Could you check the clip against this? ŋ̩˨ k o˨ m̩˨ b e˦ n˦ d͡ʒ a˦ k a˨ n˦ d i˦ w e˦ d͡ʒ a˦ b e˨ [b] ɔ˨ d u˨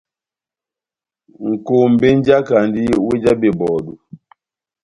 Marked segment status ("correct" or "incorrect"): correct